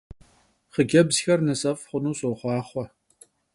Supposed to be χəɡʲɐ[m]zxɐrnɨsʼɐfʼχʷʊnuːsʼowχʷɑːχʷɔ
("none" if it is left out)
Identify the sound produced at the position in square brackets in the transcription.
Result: b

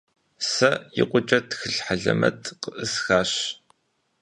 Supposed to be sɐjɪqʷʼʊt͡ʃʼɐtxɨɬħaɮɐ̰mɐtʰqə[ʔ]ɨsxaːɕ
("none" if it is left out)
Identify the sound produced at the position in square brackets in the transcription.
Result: ʔ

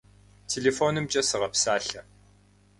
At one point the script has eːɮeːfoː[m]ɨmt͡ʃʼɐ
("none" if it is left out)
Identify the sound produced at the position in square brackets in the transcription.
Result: n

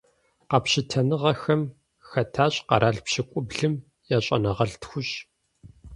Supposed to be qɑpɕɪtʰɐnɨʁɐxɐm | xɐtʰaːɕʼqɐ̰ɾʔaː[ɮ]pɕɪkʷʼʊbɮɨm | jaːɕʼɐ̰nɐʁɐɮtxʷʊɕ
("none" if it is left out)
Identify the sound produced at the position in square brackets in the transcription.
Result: ɮ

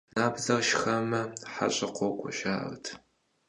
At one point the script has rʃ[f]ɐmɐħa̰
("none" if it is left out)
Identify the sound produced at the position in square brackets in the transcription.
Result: x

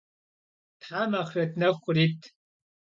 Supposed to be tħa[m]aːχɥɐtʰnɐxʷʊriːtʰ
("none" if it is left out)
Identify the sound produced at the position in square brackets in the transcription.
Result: m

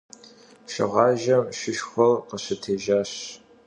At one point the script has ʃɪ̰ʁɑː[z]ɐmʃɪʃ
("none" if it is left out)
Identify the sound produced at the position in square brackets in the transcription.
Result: ʒ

